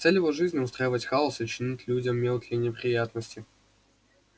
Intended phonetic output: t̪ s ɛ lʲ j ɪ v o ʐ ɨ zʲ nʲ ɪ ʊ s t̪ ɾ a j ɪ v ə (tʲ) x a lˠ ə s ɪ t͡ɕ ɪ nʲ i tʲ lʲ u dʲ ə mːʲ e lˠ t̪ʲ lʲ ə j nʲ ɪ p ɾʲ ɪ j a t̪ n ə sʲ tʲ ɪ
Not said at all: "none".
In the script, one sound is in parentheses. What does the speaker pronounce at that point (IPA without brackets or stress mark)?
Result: tʲ